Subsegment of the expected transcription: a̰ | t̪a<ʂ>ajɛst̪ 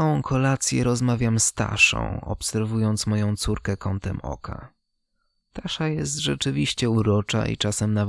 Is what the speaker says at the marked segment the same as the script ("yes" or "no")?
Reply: yes